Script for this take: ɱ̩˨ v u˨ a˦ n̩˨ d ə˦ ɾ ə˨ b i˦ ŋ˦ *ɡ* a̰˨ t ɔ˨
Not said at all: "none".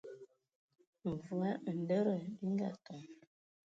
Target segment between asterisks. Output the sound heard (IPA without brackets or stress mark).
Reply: ɡ